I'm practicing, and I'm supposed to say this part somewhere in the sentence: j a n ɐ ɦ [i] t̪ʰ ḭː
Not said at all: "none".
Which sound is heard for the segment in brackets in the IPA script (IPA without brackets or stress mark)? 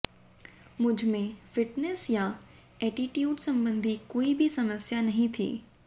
ĩ